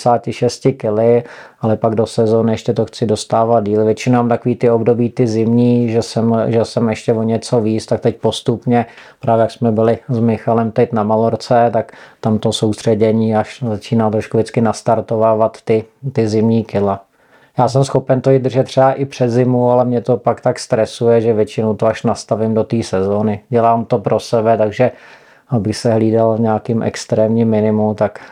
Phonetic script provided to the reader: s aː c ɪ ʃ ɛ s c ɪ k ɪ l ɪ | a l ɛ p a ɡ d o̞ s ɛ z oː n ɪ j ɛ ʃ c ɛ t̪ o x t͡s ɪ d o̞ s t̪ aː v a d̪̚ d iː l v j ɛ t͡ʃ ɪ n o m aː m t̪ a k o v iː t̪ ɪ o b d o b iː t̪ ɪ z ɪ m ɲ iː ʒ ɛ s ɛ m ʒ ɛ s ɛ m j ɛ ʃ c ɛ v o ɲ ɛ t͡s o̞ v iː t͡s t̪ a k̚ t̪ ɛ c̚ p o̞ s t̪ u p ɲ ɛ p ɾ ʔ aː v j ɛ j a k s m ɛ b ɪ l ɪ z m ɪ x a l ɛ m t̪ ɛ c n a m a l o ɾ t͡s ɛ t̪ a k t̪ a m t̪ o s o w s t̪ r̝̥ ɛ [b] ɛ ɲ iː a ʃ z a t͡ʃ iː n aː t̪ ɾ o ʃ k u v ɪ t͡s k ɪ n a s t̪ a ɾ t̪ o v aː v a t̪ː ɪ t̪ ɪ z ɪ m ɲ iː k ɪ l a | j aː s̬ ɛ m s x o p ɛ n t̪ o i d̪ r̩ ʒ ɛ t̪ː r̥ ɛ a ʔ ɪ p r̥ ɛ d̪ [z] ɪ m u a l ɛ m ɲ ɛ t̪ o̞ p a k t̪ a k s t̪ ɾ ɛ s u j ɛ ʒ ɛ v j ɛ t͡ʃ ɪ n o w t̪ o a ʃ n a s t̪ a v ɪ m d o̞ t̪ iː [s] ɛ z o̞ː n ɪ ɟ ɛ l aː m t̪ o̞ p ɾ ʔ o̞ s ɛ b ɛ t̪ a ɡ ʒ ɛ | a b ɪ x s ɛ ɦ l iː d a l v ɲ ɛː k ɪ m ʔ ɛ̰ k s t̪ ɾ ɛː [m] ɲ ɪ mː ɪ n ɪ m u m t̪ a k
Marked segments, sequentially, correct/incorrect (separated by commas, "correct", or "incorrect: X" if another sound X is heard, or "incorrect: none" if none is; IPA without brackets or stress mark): incorrect: ɟ, correct, correct, correct